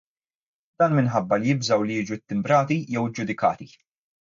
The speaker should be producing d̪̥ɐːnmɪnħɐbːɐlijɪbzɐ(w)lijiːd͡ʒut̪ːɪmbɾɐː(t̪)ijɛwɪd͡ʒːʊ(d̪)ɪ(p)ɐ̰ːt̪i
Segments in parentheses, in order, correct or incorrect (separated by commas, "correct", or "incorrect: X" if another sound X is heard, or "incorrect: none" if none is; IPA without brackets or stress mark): correct, correct, correct, incorrect: k